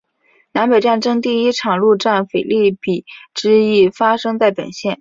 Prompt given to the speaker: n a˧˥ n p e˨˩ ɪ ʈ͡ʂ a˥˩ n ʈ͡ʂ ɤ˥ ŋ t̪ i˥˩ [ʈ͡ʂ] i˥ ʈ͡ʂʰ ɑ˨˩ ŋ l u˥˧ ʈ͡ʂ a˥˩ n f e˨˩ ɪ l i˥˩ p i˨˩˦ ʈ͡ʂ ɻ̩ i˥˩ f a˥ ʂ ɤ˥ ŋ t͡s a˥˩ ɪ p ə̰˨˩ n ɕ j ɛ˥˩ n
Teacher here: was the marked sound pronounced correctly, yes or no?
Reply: no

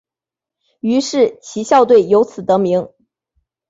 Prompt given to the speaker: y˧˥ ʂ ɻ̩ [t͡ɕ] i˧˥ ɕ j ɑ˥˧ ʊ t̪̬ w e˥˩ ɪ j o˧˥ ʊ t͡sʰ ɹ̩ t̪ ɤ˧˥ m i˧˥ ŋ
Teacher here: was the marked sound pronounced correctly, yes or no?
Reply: no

